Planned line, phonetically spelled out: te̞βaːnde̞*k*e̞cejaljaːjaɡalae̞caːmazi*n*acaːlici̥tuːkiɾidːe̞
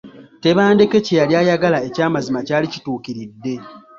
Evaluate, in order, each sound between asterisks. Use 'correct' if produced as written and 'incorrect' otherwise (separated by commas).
correct, incorrect